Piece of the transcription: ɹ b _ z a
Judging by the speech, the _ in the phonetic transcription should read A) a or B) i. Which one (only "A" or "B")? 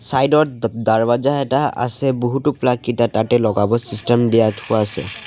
A